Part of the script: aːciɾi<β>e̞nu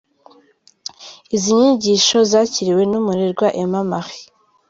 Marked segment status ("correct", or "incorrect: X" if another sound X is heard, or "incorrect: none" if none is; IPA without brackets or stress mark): incorrect: w